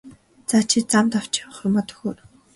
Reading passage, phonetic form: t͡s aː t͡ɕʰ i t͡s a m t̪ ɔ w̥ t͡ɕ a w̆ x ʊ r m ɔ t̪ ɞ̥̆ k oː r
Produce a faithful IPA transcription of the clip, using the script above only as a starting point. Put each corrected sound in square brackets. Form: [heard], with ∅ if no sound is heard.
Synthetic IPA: t͡s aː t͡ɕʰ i t͡s a m t̪ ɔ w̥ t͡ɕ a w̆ [χ] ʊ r m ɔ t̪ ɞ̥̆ [x] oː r